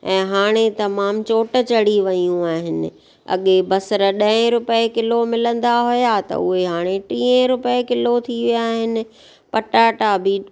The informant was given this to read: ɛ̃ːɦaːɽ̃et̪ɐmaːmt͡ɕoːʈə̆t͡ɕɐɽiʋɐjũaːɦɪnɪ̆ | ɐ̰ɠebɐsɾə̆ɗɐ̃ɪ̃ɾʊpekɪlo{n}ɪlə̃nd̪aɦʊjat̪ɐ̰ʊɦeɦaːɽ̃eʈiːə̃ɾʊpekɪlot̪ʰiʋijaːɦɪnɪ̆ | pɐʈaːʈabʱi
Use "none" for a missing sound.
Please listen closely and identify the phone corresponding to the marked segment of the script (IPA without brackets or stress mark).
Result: m